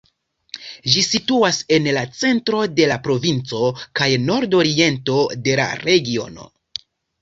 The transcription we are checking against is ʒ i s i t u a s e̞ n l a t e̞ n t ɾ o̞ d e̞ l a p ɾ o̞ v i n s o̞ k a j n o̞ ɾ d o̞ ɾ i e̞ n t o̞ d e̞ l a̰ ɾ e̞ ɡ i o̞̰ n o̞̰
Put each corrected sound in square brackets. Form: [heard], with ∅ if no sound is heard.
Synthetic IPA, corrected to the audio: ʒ i s i t u a s e̞ n l a [t͡s] e̞ n t ɾ o̞ d e̞ l a p ɾ o̞ v i n [t͡s] o̞ k a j n o̞ ɾ d o̞ ɾ i e̞ n t o̞ d e̞ l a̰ ɾ e̞ ɡ i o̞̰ n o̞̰

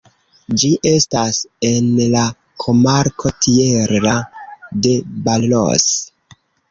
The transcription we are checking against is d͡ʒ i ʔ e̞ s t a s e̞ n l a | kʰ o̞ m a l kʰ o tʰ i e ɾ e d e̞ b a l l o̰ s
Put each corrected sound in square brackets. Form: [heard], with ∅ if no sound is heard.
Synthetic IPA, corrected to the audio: d͡ʒ i ʔ e̞ s t a s e̞ n l a | kʰ o̞ m a [ɾ] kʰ o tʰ i e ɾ [a] d e̞ b a l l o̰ s

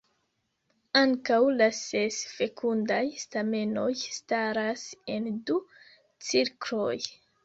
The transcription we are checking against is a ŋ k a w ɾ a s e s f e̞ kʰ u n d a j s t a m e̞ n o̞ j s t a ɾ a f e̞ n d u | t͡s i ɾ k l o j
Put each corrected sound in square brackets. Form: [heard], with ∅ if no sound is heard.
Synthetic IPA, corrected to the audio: a ŋ k a w [l] a s e s f e̞ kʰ u n d a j s t a m e̞ n o̞ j s t a ɾ a [s] e̞ n d u | t͡s i ɾ k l o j

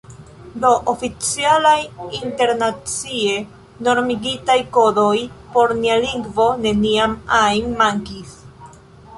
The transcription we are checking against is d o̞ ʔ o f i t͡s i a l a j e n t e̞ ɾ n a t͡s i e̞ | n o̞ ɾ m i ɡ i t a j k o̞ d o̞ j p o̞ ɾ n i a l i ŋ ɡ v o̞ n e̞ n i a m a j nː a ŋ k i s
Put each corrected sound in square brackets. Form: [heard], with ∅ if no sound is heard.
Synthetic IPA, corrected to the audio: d o̞ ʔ o f i t͡s i a l a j [i] n t e̞ ɾ n a t͡s i e̞ | n o̞ ɾ m i ɡ i t a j k o̞ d o̞ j p o̞ ɾ n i a l i ŋ ɡ v o̞ n e̞ n i a m a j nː a ŋ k i s

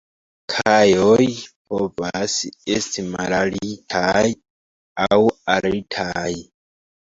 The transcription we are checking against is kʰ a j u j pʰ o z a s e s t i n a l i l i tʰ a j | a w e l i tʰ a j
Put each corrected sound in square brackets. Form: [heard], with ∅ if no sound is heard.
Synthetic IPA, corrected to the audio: kʰ a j [o] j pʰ o [v] a s e s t i [m] a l [a] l i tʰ a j | a w [a] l i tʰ a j

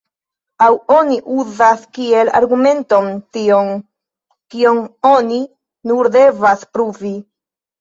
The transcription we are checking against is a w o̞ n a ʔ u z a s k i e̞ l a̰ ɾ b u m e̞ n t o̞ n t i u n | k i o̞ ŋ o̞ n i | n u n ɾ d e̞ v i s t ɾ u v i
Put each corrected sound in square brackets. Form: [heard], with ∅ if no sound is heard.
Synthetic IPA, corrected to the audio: a w o̞ n [i] ʔ u z a s k i e̞ l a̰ ɾ [ɡ] u m e̞ n t o̞ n t i [o] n | k i o̞ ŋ o̞ n i | n u [∅] ɾ d e̞ v [a] s [p] ɾ u v i

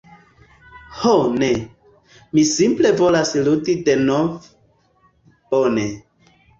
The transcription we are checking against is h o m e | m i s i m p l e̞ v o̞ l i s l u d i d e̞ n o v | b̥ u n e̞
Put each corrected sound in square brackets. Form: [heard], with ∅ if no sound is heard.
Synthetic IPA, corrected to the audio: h o [n] e | m i s i m p l e̞ v o̞ l [a] s l u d i d e̞ n o v | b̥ [o] n e̞

